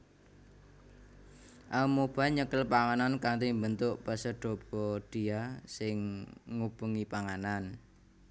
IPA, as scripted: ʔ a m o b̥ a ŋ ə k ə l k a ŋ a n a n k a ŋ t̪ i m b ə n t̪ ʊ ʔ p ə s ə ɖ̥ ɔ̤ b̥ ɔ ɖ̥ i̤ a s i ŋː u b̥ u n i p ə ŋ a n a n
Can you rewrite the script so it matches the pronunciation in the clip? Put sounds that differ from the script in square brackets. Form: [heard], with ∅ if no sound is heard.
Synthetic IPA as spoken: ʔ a m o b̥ a [ɲ] ə k ə l [p] a ŋ a n a n k a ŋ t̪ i m b ə n t̪ ʊ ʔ p ə s ə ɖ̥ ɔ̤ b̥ ɔ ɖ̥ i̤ a s [ɪ] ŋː u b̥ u [ŋ] i p [a] ŋ a n a n